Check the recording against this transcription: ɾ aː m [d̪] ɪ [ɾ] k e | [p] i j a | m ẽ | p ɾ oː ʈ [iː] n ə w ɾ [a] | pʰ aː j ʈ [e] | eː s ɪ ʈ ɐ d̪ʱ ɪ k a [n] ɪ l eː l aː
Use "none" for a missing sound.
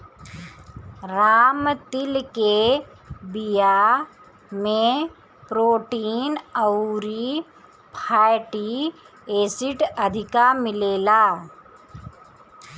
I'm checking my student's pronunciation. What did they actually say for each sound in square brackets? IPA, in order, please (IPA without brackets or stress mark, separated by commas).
t̪, l, b, iː, i, i, m